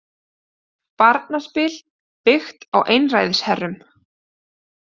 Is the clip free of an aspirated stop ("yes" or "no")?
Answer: yes